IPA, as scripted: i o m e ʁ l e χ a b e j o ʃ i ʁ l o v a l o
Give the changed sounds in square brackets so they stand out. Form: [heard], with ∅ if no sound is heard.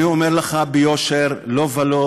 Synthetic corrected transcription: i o m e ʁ l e χ a b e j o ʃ [e] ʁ l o v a l o